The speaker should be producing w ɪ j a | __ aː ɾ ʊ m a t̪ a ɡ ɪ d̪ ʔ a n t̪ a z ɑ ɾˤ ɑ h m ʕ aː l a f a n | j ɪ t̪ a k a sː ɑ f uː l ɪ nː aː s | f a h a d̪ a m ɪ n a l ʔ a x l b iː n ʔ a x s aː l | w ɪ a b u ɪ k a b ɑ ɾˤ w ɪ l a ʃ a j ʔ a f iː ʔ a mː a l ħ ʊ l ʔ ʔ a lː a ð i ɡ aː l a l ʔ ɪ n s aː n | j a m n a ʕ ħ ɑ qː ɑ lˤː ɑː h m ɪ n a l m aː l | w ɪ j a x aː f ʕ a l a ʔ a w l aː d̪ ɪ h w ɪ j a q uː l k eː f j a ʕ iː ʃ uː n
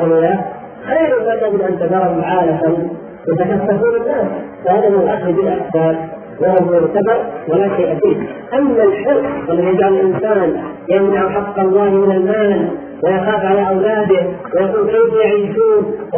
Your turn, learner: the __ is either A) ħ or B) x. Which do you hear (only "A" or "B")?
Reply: B